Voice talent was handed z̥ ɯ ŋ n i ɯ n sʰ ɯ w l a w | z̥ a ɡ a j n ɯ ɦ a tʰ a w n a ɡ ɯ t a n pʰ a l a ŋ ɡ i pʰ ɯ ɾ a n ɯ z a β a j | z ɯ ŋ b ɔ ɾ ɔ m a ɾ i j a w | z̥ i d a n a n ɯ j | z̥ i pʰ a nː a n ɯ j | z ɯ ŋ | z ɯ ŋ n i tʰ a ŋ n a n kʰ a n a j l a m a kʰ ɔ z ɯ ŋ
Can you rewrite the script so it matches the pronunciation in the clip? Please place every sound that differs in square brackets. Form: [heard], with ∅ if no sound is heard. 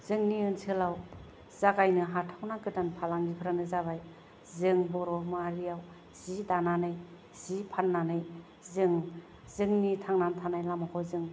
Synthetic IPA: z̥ ɯ ŋ n i ɯ n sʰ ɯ [∅] l a w | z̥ a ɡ a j n ɯ ɦ a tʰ a w n a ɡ ɯ t a n pʰ a l a ŋ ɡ i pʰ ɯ ɾ a n ɯ z a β a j | z ɯ ŋ b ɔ ɾ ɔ m a ɾ i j a w | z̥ i d a n a n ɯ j | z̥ i pʰ a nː a n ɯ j | z ɯ ŋ | z ɯ ŋ n i tʰ a ŋ n a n [tʰ] a n a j l a m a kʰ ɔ z ɯ ŋ